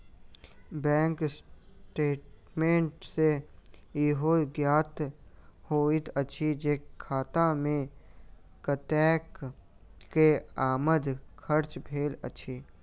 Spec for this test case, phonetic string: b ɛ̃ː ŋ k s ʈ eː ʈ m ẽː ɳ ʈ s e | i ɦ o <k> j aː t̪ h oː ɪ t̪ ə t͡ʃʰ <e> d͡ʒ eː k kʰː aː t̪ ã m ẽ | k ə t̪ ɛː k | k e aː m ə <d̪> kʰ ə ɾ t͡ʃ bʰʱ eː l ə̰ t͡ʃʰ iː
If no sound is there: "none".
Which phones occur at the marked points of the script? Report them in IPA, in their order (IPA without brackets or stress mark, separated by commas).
ɡ, i, d̪